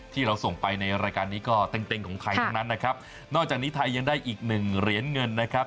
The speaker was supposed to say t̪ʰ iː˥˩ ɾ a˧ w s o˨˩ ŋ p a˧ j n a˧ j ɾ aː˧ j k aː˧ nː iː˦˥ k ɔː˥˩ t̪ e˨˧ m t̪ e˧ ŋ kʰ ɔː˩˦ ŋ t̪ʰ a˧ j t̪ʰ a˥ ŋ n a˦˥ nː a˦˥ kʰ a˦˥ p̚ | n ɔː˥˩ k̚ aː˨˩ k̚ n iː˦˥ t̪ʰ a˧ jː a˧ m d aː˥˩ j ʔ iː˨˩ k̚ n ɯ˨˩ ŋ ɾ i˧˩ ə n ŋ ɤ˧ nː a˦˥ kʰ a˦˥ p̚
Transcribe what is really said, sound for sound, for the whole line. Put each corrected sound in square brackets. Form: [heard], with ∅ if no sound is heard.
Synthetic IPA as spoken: t̪ʰ iː˥˩ ɾ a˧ w s o˨˩ ŋ p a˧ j n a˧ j ɾ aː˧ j k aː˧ nː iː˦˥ k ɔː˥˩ t̪ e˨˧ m t̪ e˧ ŋ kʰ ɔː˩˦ ŋ t̪ʰ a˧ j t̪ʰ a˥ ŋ n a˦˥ nː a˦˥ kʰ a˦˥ p̚ | n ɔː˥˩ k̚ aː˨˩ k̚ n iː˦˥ t̪ʰ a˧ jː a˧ [ŋ] d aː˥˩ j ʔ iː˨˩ k̚ n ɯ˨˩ ŋ ɾ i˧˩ ə n ŋ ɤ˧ nː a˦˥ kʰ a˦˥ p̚